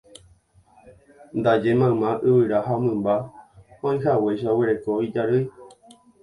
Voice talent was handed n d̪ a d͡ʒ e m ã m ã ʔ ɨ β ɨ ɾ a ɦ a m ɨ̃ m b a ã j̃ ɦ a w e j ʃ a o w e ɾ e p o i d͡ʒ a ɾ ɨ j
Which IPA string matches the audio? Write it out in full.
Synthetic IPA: n d̪ a d͡ʒ e m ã m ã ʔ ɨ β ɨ ɾ a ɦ a m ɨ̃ m b a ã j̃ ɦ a w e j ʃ a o w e ɾ e k o i d͡ʒ a ɾ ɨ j